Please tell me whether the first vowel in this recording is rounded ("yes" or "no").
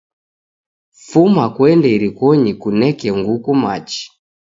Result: yes